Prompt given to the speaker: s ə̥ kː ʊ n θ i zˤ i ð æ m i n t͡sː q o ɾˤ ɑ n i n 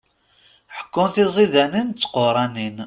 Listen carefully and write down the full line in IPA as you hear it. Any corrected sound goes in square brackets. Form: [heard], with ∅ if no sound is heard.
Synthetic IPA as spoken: [ħ] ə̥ kː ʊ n θ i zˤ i ð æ [n] i n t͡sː q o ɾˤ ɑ n i n